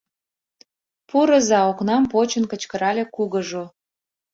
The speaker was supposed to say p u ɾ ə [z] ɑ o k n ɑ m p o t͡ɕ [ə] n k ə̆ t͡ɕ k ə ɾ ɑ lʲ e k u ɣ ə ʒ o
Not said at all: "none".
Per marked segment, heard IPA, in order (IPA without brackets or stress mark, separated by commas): z, ə